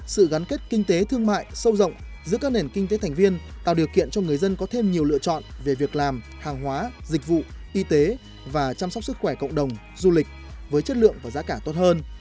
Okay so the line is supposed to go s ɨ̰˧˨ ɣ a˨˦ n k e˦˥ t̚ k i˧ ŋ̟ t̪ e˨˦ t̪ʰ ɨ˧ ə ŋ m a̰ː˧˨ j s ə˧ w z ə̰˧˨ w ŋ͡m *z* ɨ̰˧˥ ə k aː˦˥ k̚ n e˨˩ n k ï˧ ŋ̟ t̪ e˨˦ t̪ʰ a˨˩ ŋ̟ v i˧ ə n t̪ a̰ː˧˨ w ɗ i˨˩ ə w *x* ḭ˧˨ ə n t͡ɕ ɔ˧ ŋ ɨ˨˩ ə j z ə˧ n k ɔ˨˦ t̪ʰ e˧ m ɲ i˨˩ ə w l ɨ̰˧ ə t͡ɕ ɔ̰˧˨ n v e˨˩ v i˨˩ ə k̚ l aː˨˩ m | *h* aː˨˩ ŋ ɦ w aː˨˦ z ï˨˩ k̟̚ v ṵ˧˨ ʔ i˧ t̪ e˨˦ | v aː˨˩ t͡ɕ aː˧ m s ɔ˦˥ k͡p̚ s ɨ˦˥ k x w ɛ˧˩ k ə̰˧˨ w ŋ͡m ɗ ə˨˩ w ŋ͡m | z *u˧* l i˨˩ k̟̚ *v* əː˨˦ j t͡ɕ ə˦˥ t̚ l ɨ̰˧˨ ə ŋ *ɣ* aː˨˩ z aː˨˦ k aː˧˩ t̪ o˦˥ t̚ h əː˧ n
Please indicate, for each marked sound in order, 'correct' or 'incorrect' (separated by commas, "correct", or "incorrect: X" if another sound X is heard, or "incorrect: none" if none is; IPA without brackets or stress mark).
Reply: correct, incorrect: k, correct, correct, correct, incorrect: v